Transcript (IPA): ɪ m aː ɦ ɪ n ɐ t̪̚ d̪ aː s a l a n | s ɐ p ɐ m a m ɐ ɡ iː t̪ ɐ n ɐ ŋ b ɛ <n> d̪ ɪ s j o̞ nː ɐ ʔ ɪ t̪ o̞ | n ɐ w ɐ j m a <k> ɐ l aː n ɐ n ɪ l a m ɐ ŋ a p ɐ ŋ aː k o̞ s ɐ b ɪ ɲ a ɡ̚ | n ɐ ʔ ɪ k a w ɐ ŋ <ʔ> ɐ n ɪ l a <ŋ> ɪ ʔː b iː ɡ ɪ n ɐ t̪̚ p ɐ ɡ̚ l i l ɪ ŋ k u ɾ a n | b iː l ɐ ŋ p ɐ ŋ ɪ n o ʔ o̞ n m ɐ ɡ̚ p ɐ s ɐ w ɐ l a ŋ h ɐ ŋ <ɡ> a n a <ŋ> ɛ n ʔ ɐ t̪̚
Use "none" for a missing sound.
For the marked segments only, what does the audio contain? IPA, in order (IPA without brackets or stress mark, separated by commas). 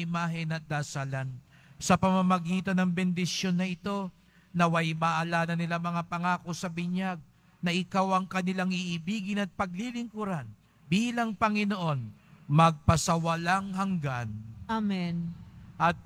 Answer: n, ʔ, k, ŋ, ɡ, m